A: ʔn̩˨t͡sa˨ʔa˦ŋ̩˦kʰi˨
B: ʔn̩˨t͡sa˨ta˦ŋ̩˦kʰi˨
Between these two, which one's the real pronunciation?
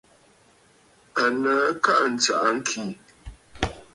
A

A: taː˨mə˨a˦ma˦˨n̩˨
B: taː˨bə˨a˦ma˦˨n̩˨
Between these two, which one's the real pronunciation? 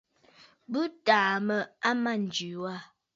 A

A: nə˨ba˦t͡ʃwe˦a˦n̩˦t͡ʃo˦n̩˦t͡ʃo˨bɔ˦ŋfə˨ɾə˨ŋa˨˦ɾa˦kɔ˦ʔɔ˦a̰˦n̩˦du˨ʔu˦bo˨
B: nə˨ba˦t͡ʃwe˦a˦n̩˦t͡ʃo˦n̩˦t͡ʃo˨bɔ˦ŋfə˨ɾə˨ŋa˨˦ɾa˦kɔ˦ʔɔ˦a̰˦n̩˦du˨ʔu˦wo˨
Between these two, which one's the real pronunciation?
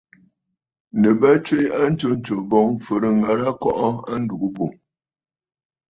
A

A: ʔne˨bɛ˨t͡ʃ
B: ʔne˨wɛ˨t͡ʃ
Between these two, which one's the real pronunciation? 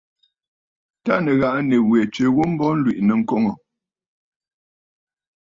B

